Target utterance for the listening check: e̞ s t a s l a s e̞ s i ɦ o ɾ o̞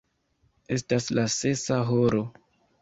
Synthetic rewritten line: e̞ s t a s l a s e̞ s a ɦ o ɾ o̞